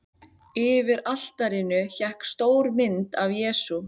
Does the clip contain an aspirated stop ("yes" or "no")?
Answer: no